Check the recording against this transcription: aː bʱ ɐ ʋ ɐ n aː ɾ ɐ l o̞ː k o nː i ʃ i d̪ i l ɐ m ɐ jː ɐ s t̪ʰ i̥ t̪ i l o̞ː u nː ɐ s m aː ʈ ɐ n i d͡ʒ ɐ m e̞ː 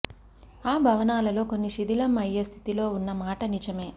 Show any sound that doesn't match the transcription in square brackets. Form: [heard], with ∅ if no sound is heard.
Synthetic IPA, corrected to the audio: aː bʱ ɐ ʋ ɐ n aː [l] ɐ l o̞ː k o nː i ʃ i d̪ i l ɐ m ɐ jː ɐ s t̪ʰ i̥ t̪ i l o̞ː u nː ɐ [∅] m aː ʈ ɐ n i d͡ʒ ɐ m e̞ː